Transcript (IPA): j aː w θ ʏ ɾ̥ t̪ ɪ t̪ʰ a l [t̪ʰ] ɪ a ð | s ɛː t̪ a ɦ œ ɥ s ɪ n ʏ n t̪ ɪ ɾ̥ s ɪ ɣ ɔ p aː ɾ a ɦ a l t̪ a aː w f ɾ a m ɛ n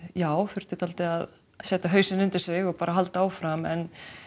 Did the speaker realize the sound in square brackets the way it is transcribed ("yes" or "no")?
no